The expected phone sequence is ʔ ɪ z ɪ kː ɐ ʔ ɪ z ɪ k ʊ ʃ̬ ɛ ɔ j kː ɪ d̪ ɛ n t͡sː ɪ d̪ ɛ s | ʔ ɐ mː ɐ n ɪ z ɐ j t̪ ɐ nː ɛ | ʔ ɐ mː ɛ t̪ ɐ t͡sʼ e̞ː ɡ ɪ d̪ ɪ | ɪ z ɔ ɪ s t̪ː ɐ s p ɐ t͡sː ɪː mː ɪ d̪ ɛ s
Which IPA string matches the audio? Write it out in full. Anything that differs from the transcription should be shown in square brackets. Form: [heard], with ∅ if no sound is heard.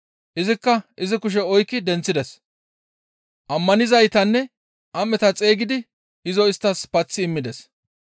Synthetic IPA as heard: ʔ ɪ z ɪ kː ɐ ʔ ɪ z ɪ k ʊ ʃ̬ ɛ ɔ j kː ɪ d̪ ɛ n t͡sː ɪ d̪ ɛ s | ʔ ɐ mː ɐ n ɪ z ɐ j t̪ ɐ nː ɛ | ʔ ɐ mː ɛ t̪ ɐ t͡sʼ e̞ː ɡ ɪ d̪ ɪ | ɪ z ɔ ɪ s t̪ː ɐ s p ɐ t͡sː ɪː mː ɪ d̪ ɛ s